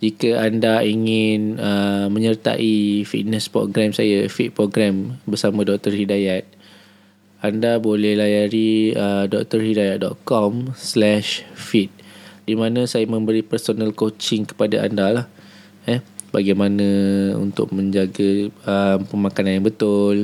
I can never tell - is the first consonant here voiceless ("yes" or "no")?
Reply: no